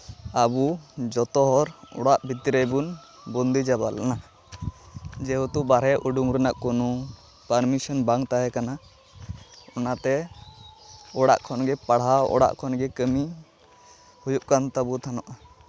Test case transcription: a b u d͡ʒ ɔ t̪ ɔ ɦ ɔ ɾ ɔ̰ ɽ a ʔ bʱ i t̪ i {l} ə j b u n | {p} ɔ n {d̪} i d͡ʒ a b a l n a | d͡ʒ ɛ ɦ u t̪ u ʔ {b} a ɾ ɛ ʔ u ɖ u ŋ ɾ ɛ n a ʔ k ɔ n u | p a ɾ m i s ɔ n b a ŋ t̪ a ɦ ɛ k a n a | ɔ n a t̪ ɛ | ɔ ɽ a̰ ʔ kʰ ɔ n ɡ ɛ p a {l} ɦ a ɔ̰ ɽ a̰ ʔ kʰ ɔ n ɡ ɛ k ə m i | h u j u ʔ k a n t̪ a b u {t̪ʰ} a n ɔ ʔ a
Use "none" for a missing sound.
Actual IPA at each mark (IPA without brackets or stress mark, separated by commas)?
ɾ, b, d̪, b, ɽ, t̪ʰ